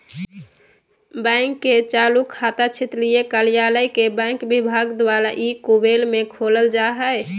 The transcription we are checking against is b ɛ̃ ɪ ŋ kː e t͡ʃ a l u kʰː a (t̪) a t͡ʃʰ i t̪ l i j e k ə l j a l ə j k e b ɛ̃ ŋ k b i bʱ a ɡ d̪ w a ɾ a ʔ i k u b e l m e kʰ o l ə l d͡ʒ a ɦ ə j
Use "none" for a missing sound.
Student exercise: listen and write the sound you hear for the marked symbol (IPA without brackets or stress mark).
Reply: t̪